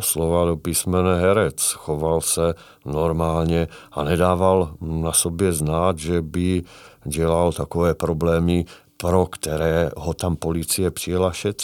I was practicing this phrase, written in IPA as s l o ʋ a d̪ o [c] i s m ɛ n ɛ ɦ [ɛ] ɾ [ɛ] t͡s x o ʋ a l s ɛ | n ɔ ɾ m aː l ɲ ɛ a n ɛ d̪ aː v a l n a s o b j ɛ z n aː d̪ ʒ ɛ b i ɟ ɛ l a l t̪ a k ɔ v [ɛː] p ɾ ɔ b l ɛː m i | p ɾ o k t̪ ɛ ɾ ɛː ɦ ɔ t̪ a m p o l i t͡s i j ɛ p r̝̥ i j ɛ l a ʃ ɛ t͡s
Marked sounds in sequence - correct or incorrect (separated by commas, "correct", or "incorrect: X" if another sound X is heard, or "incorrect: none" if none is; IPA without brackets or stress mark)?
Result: incorrect: p, correct, correct, correct